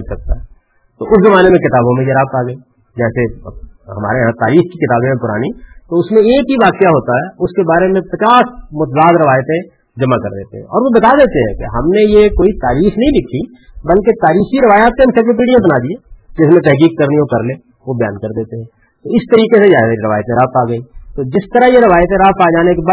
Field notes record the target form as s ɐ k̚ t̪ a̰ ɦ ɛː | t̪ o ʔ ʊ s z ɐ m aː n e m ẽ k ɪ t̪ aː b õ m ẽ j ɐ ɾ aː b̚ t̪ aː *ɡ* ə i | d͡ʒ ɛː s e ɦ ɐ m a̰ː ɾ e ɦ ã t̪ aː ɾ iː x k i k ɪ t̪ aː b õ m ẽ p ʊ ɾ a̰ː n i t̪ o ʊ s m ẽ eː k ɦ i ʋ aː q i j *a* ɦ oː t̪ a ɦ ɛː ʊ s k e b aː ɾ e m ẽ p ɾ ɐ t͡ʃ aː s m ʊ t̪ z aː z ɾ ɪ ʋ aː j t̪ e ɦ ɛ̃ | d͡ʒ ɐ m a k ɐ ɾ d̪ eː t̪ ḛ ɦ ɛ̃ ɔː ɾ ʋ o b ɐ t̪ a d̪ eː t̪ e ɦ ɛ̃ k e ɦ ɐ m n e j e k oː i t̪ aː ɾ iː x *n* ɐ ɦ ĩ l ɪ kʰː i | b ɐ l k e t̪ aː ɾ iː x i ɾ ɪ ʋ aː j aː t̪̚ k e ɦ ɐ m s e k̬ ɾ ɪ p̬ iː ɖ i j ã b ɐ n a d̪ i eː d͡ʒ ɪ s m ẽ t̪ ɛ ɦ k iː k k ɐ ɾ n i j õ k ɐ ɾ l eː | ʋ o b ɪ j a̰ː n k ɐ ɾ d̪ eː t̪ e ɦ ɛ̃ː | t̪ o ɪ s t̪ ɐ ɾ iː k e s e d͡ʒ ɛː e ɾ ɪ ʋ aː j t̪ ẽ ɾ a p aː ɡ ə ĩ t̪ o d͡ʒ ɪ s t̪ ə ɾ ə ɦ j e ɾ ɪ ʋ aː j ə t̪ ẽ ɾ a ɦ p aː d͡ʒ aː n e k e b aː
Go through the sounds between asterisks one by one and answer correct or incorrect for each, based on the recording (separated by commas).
correct, correct, correct